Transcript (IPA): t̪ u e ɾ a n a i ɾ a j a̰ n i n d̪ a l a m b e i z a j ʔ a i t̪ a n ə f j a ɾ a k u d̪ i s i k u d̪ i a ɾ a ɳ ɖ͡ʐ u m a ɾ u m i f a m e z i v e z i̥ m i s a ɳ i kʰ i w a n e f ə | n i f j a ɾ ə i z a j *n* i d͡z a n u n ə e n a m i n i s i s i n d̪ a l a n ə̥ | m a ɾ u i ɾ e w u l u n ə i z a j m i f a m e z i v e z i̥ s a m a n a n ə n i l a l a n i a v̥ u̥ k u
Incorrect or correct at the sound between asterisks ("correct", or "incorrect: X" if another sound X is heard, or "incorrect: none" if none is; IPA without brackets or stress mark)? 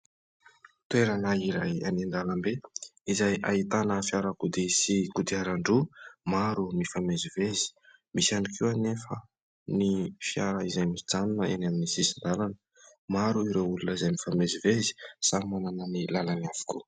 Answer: incorrect: m